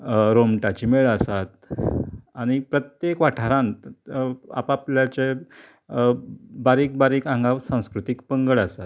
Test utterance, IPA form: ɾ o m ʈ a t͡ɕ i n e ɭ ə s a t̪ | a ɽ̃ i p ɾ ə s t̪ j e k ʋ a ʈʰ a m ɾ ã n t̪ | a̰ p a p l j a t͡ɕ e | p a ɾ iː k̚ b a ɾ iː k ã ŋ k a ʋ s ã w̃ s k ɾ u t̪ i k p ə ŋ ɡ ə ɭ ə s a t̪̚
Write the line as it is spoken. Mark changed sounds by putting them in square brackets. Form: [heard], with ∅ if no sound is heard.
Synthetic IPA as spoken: ɾ o m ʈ a t͡ɕ i [m] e ɭ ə s a t̪ | a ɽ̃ i p ɾ ə [∅] t̪ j e k ʋ a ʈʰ a [∅] ɾ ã n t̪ | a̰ p a p l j a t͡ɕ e | [b] a ɾ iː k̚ b a ɾ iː k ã ŋ [ɡ] a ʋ s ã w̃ s k ɾ u t̪ i k p ə ŋ ɡ ə ɭ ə s a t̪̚